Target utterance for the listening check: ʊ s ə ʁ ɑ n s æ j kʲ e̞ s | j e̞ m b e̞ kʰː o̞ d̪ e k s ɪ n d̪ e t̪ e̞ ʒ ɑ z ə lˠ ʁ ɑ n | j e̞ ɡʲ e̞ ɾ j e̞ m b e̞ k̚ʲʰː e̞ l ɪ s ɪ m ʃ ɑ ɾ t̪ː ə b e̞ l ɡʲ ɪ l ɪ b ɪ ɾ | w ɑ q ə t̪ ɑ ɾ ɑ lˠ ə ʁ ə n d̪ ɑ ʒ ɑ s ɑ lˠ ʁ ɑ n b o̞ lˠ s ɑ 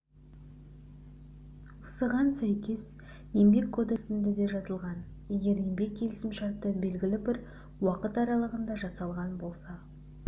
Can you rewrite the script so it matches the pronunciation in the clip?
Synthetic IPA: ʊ s ə ʁ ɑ n s æ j kʲ e̞ s | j e̞ m b e̞ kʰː o̞ d̪ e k s ɪ n d̪ e d̪ e̞ ʒ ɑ z ə lˠ ʁ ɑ n | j e̞ ɡʲ e̞ ɾ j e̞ m b e̞ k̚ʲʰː e̞ l ɪ s ɪ m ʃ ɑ ɾ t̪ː ə b e̞ l ɡʲ ɪ l ɪ b ɪ ɾ | w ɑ q ə t̪ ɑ ɾ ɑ lˠ ə ʁ ə n d̪ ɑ ʒ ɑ s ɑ lˠ ʁ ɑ n b o̞ lˠ s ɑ